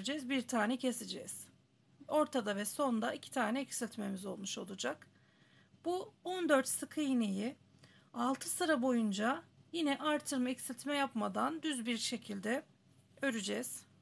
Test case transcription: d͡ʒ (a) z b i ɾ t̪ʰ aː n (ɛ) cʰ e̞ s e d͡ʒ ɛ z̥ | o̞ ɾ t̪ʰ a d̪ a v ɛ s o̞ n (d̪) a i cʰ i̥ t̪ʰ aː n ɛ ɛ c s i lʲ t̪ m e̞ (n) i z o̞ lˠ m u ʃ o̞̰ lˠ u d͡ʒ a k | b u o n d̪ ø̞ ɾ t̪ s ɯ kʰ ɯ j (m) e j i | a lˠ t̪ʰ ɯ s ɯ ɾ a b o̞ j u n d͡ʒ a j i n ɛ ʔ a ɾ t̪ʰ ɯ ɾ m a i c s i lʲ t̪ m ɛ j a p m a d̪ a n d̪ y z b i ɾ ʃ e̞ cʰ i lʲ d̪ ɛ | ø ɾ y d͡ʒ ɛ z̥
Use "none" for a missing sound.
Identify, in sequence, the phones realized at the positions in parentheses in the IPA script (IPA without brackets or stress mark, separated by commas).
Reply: ɛ, ɛ, d̪, m, n